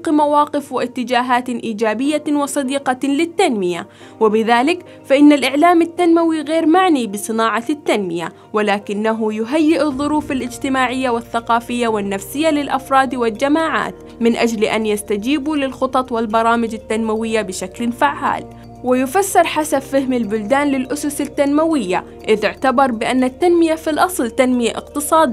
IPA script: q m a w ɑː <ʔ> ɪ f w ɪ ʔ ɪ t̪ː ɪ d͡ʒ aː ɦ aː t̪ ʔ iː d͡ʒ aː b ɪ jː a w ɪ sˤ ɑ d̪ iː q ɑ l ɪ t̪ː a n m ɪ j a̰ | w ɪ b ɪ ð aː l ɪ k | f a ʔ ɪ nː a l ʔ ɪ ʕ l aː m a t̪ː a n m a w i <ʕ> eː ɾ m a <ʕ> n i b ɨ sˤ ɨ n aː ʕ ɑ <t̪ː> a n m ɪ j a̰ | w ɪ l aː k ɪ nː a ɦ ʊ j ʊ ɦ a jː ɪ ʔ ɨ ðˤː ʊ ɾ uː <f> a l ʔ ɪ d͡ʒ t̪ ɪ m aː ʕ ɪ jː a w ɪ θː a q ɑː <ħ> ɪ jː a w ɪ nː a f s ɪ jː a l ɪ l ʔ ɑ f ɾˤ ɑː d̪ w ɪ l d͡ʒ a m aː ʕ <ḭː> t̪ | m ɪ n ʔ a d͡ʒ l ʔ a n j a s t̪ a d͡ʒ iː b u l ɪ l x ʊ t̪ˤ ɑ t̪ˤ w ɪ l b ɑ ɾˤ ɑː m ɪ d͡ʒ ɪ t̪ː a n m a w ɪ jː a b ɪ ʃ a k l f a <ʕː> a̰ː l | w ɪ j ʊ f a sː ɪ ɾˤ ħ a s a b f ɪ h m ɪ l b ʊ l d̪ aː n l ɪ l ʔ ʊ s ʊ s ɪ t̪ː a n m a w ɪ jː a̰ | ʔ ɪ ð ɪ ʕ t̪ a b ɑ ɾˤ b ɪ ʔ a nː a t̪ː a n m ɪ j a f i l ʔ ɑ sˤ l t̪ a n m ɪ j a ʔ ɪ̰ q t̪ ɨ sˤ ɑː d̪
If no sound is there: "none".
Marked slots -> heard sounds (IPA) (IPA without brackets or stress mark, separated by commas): q, ɣ, ʕ, t̪ː, f, f, a̰ː, ʕː